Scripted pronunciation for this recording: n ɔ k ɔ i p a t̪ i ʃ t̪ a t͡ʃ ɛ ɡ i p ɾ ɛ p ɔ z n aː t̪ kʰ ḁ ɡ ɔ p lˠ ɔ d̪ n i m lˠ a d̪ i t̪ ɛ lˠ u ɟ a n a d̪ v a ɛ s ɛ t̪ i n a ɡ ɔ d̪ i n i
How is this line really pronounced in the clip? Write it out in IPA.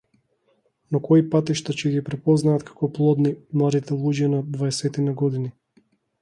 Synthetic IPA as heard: n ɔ k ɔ i p a t̪ i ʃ t̪ a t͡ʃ ɛ ɡ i p ɾ ɛ p ɔ z n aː t̪ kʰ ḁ k ɔ p lˠ ɔ d̪ n i m lˠ a d̪ i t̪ ɛ lˠ u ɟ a n a d̪ v a ɛ s ɛ t̪ i n a ɡ ɔ d̪ i n i